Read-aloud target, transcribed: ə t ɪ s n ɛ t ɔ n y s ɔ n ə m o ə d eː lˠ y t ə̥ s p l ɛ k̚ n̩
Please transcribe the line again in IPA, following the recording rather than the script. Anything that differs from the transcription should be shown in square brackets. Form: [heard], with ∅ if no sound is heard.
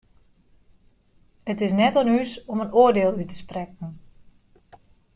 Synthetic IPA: ə t ɪ s n ɛ t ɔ n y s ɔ [m] ə [n] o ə d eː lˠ y t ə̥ s p [r] ɛ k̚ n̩